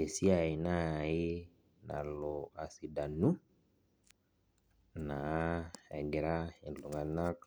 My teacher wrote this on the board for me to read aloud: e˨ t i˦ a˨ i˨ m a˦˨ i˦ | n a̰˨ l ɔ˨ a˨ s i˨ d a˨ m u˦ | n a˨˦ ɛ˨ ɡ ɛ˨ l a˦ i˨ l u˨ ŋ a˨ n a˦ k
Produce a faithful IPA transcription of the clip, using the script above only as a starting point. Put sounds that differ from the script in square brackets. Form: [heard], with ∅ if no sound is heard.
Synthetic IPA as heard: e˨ [s] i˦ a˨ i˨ [n] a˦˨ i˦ | n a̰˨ l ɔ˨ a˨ s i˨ d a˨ [n] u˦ | n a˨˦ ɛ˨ ɡ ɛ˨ [ɾ] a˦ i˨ l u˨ ŋ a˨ n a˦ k